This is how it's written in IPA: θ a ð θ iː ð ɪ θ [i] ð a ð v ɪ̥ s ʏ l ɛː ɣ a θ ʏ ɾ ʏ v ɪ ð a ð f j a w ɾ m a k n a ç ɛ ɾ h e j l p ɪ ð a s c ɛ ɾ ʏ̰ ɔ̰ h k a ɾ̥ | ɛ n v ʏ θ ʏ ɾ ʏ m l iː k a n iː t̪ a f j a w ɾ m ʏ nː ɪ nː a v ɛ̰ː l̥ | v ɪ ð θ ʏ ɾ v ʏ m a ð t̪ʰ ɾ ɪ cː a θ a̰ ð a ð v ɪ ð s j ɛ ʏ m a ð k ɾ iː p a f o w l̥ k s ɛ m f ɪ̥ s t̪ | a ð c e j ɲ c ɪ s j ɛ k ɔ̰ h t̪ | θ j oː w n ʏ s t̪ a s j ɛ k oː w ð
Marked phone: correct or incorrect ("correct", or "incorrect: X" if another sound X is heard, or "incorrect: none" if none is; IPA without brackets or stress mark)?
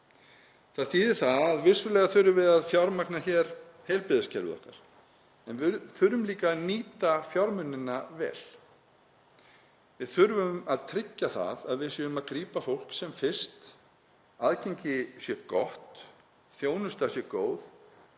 incorrect: a